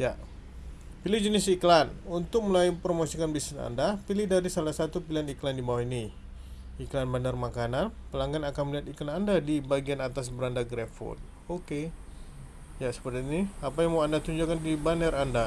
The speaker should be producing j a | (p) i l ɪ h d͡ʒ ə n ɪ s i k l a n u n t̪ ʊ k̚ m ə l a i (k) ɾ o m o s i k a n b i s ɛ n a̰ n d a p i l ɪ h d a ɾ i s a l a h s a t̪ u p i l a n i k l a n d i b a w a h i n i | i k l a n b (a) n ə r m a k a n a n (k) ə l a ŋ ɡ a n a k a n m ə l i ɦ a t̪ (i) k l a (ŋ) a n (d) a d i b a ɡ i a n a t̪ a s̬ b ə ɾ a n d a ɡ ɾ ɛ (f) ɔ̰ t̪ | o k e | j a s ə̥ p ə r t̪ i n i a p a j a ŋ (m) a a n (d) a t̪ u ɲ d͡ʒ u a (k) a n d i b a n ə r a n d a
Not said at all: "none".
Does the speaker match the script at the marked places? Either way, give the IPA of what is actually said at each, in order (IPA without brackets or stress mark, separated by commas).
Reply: p, p, a, p, i, n, d, f, m, d, k